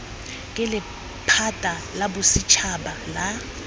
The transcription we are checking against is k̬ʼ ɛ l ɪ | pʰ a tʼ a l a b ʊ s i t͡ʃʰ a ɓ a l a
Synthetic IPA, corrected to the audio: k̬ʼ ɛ l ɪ | pʰ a tʼ a l a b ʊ s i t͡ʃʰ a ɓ a l a